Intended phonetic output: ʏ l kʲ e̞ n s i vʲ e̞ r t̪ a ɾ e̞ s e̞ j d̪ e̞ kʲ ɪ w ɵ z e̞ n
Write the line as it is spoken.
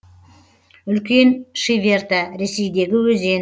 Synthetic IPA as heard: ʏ l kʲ e̞ n ʃ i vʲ e̞ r t̪ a ɾ e̞ s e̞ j d̪ e̞ ɡʲ ɪ w ɵ z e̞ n